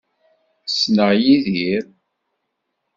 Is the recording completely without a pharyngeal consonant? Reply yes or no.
yes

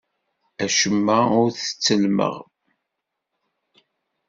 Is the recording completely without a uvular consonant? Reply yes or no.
no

